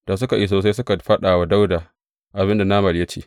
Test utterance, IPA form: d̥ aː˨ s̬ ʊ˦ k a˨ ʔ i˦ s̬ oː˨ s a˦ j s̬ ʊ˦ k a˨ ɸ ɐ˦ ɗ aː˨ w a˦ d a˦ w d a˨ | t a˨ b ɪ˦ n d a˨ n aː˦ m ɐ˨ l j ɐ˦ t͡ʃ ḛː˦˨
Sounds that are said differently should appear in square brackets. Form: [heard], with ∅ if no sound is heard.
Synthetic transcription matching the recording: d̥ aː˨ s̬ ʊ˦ k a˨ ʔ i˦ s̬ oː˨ s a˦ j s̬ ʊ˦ k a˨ ɸ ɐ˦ ɗ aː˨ w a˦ d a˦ w d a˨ | [ʔ] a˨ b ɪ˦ n d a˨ n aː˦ m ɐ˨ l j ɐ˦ t͡ʃ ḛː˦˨